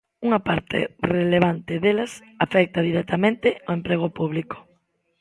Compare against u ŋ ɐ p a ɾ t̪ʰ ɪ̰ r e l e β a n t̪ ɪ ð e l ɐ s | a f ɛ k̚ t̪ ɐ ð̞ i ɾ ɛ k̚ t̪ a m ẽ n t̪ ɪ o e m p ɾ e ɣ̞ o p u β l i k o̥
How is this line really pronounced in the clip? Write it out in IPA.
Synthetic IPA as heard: u ŋ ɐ p a ɾ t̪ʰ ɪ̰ r e l e β a n t̪ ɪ ð e l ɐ s | a f ɛ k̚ t̪ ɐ ð̞ i ɾ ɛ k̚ t̪ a m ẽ n t̪ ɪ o e m p ɾ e ɣ̞ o p u β l i k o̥